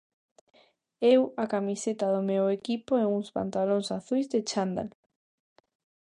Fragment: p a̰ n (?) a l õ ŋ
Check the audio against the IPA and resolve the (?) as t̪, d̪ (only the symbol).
t̪